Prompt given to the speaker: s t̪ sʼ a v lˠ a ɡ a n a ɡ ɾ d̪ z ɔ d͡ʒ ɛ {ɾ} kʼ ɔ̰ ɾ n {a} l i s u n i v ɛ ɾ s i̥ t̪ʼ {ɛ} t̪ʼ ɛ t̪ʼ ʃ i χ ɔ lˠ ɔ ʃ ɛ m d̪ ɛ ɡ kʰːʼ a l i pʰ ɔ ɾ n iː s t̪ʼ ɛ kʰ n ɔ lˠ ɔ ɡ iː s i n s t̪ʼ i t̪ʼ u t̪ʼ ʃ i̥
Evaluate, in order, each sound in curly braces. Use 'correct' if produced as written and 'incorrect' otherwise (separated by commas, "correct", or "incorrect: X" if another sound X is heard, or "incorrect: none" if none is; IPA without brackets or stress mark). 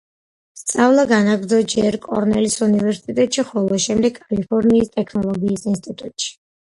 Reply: correct, incorrect: ɛ, incorrect: i